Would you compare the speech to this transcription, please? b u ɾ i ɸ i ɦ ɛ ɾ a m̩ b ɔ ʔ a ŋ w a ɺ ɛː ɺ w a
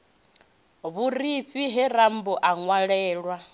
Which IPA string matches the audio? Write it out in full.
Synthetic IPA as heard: β u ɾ i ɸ i ɦ ɛ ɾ a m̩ b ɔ ʔ a ŋ w a ɺ ɛː ɺ w a